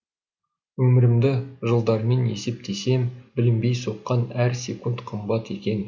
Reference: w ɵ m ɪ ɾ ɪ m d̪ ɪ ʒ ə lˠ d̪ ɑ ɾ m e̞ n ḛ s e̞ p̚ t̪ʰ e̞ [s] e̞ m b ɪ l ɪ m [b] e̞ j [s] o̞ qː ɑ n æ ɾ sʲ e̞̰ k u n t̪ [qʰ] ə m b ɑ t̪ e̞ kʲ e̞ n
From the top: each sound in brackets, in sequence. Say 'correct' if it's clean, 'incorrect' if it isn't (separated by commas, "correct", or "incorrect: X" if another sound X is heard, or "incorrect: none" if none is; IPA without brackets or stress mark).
correct, correct, correct, correct